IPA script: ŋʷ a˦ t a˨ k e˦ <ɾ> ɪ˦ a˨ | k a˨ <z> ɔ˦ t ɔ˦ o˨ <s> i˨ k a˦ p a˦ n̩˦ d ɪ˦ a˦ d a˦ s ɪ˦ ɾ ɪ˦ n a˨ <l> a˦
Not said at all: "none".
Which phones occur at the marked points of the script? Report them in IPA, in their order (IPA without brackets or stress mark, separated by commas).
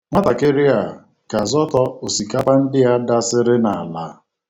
ɾ, z, s, l